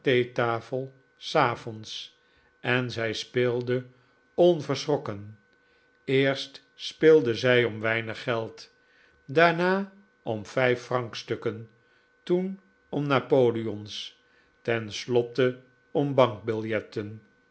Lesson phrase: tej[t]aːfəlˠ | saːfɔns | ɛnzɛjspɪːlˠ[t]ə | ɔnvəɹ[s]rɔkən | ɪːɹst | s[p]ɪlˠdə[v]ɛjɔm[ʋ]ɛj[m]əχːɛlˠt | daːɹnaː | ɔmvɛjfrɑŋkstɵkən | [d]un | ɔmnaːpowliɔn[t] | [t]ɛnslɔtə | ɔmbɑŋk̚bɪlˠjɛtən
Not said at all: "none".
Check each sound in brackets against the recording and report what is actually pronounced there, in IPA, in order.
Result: t, d, s, p, z, ʋ, n, t, s, t

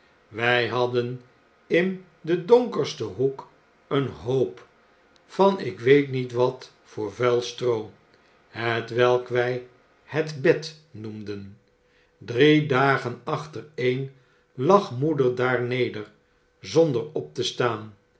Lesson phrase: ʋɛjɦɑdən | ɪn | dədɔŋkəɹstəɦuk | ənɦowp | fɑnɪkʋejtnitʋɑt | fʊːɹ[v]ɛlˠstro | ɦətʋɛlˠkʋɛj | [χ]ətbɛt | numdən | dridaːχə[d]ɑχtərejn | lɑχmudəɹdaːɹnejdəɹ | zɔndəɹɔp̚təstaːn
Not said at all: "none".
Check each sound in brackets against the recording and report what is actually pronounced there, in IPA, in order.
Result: v, h, n

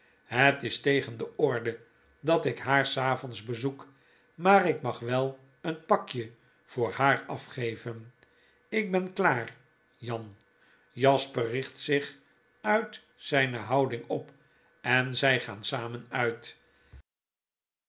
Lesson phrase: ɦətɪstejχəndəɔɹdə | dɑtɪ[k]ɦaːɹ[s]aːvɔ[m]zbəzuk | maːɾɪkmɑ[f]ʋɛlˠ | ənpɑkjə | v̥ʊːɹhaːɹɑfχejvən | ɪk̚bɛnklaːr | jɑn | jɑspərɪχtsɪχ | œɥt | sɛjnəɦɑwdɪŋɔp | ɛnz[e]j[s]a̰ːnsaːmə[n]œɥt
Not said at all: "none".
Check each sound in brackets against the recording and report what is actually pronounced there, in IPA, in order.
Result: k, s, n, χ, ɛ, χ, n

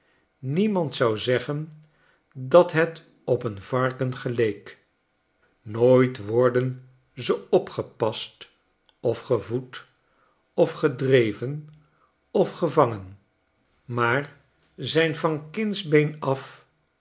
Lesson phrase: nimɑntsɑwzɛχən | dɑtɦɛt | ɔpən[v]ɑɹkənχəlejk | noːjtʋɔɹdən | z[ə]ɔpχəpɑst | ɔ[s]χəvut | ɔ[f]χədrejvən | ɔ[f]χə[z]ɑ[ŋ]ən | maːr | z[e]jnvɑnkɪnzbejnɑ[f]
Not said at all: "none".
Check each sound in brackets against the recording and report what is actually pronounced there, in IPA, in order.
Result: v, ə, f, f, f, v, ŋ, ɛ, f

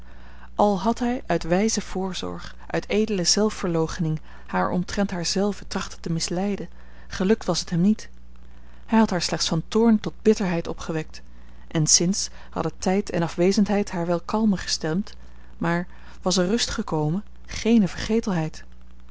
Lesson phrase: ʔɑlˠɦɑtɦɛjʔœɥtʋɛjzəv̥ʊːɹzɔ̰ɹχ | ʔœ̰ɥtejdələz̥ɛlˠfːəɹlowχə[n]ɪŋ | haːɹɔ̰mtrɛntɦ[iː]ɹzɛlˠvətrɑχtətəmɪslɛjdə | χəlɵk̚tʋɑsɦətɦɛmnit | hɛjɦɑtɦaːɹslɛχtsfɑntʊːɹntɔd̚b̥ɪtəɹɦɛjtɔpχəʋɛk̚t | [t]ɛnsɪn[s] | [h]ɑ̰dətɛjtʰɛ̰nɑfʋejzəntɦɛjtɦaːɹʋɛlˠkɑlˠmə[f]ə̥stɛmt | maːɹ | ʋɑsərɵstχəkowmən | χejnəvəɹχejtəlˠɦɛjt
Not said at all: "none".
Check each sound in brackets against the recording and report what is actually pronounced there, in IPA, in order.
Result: n, aː, ʔ, s, h, χ

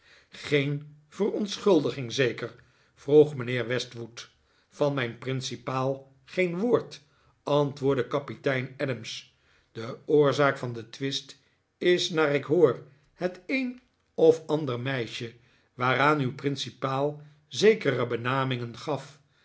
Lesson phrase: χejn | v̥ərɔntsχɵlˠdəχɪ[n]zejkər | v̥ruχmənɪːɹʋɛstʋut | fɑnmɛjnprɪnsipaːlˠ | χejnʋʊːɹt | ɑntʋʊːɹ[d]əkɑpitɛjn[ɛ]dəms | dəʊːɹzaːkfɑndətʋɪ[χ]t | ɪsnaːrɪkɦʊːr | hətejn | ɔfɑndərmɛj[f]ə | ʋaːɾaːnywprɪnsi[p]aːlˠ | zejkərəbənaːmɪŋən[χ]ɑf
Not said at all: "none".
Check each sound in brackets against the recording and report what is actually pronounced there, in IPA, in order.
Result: ŋ, d, ɛ, s, ʃ, p, χ

